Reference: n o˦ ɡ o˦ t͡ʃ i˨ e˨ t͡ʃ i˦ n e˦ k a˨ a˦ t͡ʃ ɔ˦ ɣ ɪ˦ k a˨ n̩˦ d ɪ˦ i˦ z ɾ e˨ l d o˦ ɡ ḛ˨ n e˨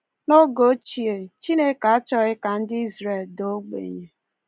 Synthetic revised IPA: n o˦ ɡ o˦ t͡ʃ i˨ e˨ t͡ʃ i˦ n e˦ k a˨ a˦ t͡ʃ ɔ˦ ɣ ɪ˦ k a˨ n̩˦ d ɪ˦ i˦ z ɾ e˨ l d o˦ ɡ͡b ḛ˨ ɲ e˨